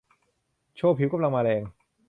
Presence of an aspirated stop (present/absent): present